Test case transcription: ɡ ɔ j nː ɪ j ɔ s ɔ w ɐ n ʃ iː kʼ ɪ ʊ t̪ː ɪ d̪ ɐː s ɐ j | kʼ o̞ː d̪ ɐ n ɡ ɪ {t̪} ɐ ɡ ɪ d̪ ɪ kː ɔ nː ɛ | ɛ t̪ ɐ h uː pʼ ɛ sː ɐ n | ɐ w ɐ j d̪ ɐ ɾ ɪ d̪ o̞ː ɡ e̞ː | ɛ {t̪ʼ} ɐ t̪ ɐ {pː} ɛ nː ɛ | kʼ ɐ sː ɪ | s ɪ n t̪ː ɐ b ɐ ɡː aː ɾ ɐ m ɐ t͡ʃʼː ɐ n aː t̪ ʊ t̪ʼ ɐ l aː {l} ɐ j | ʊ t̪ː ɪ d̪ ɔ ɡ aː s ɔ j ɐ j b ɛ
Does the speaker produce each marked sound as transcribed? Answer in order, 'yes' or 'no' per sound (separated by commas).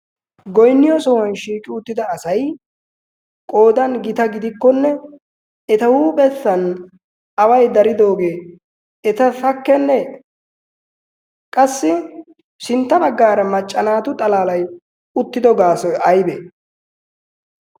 yes, no, no, yes